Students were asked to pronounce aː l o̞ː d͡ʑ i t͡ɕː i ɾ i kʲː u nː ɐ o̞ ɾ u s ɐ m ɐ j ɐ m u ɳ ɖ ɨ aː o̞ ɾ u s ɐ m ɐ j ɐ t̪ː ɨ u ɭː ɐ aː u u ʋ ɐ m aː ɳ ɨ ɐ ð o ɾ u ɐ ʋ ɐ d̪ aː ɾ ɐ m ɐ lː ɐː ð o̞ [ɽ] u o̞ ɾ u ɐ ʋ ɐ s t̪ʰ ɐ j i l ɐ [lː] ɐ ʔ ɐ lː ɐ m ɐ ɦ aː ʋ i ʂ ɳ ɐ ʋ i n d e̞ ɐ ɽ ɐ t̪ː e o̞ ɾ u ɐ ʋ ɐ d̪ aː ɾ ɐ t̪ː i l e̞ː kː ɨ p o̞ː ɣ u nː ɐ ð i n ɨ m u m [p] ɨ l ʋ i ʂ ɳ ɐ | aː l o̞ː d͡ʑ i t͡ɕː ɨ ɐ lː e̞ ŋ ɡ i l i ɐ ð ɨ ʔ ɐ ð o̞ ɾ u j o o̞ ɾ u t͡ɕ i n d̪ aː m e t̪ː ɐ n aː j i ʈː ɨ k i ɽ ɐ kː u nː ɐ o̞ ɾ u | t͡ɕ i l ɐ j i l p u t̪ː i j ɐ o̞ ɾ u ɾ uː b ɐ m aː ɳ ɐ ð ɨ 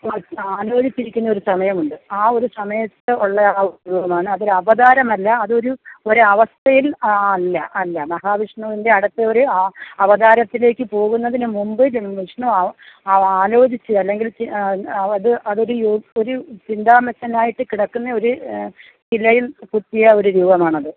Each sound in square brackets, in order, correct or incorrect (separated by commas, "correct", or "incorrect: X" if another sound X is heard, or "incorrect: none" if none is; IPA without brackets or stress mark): incorrect: ɾ, correct, incorrect: b